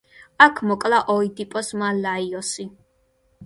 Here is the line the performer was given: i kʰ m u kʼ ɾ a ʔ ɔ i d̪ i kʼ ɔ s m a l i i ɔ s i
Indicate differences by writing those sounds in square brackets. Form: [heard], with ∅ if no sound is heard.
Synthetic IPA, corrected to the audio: [a] kʰ m [ɔ] kʼ [l] a ʔ ɔ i d̪ i [pʼ] ɔ s m a l [a] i ɔ s i